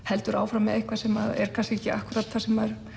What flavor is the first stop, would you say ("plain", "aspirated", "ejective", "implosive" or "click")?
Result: plain